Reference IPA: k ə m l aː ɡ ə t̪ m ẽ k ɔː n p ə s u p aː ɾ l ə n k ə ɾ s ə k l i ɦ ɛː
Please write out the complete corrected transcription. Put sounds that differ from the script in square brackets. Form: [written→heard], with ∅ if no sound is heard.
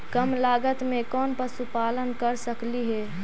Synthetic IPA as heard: k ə m l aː ɡ ə t̪ m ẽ k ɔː n p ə s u p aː [ɾ→∅] l ə n k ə ɾ s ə k l i ɦ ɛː

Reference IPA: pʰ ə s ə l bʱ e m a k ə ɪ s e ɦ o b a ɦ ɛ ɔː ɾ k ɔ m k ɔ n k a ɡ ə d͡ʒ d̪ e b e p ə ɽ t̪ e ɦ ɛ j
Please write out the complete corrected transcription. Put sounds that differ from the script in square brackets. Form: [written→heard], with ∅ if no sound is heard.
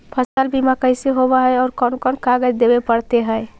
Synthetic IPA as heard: pʰ ə s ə l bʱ [e→i] m a k ə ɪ s e ɦ o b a ɦ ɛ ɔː ɾ k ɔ [m→n] k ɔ n k a ɡ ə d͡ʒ d̪ e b e p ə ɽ t̪ e ɦ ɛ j

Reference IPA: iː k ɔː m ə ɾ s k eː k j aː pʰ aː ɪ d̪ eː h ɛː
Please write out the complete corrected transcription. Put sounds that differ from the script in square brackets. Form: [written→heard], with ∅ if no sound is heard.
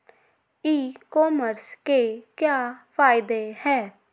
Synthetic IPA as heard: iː k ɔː m ə ɾ s k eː k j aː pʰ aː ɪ d̪ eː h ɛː

